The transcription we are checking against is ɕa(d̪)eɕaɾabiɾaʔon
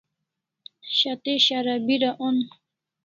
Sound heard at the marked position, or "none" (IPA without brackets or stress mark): t̪